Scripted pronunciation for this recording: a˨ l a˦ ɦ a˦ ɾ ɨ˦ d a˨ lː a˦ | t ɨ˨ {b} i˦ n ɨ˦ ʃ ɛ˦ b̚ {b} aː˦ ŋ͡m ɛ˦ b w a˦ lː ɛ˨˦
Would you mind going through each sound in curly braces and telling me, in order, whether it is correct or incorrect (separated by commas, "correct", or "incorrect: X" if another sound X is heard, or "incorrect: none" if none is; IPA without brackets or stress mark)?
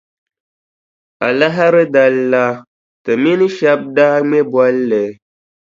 incorrect: m, incorrect: d